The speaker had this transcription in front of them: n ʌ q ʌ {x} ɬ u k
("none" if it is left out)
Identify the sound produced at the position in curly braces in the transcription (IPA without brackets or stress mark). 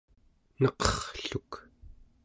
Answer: χ